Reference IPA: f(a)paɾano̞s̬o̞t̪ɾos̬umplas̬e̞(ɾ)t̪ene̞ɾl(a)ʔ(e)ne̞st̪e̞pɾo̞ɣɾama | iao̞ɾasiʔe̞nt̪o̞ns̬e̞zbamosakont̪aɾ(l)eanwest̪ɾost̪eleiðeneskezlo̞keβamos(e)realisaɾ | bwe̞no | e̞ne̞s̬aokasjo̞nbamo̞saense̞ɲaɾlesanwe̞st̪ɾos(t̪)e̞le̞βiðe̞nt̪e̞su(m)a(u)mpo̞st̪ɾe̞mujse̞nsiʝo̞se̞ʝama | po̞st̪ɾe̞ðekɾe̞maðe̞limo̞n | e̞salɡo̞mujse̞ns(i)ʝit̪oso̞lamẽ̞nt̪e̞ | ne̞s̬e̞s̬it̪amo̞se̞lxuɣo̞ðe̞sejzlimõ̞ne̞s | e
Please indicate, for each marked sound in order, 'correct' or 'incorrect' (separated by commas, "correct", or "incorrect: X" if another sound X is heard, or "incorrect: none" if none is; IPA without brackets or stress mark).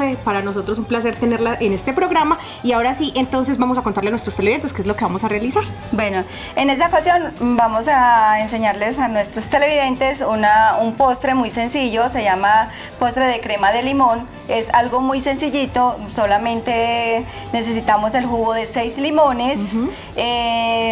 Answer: incorrect: e, correct, correct, correct, correct, incorrect: a, correct, incorrect: n, correct, correct